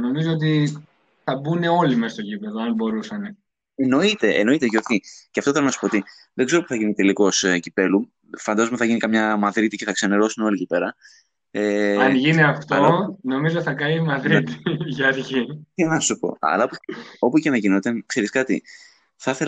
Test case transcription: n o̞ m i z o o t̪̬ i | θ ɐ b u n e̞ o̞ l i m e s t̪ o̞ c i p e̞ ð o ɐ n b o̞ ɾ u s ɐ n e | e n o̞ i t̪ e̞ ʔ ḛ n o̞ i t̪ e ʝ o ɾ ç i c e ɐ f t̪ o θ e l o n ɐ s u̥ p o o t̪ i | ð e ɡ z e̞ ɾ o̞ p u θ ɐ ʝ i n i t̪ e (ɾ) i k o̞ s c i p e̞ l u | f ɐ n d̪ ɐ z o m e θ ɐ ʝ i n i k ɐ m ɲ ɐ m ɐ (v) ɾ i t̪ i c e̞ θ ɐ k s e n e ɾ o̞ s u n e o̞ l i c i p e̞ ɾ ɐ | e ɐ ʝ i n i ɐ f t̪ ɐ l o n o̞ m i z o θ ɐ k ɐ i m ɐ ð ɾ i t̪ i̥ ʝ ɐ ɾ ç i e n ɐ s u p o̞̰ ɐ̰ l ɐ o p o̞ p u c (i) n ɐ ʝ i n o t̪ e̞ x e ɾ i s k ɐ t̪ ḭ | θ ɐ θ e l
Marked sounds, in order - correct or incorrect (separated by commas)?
incorrect, incorrect, incorrect